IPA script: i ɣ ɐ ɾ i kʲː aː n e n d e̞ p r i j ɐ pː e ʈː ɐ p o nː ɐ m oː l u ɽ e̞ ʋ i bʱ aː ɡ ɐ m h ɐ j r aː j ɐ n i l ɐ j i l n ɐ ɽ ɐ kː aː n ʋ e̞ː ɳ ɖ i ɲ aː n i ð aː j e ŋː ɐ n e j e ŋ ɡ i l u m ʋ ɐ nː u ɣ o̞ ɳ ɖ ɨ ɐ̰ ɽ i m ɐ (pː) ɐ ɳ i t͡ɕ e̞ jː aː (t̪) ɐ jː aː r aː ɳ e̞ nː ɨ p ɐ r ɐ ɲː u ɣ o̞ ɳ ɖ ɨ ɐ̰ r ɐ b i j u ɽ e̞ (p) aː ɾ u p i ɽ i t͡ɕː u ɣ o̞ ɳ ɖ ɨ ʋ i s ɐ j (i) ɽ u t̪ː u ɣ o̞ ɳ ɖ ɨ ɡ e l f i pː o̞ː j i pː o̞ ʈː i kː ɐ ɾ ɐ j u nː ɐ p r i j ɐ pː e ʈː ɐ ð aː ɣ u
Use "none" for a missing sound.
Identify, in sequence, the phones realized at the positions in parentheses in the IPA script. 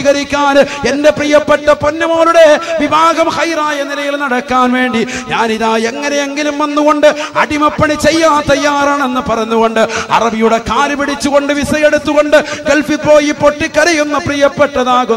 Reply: pː, t̪, k, e

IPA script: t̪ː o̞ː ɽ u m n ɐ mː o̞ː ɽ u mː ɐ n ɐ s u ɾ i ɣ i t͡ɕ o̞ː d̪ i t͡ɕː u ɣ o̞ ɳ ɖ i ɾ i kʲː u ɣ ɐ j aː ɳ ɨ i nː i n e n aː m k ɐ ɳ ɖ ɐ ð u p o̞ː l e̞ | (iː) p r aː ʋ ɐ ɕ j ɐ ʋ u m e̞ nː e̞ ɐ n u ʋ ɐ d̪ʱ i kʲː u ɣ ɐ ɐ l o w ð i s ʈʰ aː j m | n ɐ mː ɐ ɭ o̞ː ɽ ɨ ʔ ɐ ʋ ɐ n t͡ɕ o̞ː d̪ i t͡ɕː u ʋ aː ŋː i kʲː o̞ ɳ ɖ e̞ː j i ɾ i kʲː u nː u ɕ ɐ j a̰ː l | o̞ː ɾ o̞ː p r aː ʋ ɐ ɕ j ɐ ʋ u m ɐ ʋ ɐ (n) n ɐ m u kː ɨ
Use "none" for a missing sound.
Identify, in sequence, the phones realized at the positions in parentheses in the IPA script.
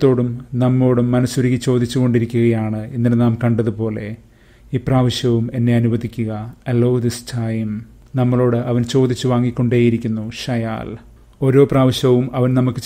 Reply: iː, n

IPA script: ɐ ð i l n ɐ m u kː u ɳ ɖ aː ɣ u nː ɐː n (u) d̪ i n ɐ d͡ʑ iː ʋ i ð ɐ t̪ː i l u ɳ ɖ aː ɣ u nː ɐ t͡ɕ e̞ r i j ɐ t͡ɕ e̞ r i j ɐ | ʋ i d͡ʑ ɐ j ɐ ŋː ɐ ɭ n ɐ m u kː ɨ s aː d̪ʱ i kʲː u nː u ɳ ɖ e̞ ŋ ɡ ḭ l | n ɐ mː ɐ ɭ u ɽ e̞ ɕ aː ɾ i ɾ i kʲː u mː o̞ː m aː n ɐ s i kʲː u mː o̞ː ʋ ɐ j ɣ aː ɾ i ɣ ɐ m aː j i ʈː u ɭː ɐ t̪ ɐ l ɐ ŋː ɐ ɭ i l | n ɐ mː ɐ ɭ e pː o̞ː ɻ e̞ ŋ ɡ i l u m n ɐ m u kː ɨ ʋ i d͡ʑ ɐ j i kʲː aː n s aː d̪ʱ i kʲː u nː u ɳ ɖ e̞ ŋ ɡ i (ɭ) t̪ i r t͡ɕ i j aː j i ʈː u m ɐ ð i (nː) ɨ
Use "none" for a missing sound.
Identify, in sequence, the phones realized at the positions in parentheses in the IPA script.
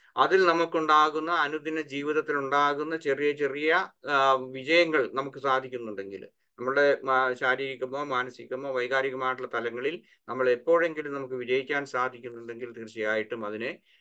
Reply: u, l, n

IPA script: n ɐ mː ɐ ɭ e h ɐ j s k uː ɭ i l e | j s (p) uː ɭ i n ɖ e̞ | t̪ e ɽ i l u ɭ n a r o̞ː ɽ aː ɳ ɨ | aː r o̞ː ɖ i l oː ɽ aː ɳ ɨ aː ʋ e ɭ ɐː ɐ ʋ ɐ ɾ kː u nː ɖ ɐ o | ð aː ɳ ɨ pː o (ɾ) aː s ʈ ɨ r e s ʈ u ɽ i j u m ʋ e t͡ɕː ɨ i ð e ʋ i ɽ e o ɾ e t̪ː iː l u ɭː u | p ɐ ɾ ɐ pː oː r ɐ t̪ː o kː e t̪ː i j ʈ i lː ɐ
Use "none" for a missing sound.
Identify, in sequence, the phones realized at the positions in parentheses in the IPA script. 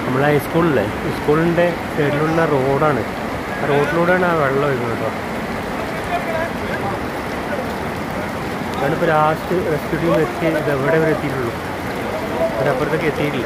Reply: k, ɾ

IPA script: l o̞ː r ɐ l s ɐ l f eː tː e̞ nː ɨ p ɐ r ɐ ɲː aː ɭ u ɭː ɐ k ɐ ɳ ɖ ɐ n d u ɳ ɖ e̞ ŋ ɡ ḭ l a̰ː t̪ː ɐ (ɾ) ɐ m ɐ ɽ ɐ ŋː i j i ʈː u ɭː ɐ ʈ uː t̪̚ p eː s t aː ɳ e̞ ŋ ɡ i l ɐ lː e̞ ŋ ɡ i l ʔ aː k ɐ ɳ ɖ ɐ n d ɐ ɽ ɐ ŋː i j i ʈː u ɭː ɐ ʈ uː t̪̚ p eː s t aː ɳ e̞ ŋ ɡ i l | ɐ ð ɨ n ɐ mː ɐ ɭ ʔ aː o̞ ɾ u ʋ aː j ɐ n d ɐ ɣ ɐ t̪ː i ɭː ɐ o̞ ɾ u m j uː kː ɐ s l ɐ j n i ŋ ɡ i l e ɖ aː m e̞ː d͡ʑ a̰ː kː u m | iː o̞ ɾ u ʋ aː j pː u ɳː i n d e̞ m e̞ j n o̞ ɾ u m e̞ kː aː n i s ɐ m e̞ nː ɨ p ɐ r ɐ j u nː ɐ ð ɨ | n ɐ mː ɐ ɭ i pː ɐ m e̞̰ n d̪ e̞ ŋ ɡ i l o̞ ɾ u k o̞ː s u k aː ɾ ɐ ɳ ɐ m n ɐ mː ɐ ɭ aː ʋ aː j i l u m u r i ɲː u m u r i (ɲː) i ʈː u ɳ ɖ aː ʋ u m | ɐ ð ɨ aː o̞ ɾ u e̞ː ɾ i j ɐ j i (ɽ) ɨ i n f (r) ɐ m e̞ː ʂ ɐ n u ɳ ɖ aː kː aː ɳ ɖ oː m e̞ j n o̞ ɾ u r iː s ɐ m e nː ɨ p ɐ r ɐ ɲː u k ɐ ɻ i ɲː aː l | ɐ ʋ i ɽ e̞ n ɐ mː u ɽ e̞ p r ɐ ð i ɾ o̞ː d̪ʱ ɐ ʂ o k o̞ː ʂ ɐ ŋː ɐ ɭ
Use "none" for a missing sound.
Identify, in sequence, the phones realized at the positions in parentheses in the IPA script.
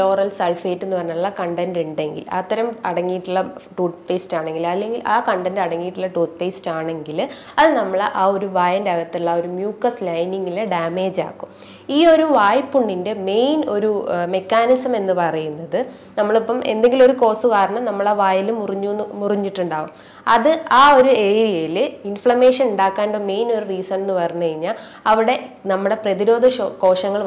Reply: ɾ, ɲː, l, ɭ

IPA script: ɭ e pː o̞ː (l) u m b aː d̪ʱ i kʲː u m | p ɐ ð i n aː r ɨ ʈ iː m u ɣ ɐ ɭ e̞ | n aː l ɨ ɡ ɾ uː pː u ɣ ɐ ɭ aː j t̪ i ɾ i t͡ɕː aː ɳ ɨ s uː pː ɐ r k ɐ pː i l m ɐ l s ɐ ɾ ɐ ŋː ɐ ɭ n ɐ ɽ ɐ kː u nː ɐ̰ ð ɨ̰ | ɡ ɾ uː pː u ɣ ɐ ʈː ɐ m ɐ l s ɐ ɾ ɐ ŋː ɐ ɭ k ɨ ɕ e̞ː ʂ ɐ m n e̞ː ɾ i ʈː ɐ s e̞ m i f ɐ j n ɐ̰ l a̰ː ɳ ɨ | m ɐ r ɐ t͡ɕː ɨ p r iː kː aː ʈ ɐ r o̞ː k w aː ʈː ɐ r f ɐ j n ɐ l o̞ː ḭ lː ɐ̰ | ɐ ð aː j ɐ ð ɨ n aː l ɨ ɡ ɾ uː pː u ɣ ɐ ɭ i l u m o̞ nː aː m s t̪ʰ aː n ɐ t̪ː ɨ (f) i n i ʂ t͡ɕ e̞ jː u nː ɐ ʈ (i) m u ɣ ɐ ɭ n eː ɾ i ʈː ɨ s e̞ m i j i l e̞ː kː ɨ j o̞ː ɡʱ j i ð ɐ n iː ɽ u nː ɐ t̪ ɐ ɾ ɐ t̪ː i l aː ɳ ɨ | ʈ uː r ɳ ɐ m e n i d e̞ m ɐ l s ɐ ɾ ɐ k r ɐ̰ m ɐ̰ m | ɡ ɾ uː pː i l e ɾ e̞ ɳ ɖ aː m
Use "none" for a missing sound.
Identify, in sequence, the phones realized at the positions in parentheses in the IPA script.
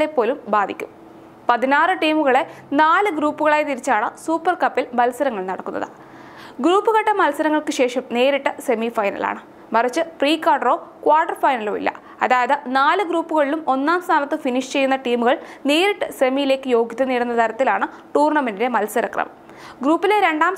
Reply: l, f, iː

